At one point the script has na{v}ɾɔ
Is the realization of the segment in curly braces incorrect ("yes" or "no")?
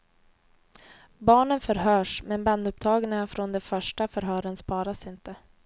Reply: yes